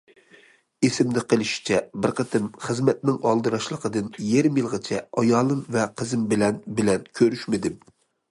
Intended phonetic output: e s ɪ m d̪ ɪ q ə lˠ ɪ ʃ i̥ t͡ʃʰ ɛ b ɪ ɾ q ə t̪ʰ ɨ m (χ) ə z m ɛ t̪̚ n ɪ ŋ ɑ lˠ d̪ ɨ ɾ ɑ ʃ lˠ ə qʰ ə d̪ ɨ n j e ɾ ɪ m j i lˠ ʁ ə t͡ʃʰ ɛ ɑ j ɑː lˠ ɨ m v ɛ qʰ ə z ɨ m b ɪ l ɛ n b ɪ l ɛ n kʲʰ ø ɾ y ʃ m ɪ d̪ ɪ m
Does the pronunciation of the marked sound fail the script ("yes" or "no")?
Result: no